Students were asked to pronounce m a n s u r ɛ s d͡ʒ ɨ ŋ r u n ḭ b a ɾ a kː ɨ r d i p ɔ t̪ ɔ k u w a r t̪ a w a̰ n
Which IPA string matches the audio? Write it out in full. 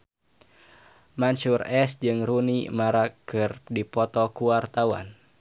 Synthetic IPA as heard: m a n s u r ɛ s d͡ʒ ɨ ŋ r u n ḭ m a ɾ a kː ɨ r d i p ɔ t̪ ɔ k u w a r t̪ a w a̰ n